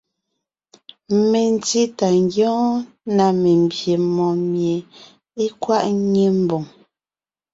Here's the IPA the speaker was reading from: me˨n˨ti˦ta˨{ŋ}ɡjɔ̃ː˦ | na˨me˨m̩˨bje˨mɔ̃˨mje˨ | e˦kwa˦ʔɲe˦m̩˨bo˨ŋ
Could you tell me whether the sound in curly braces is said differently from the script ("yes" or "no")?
no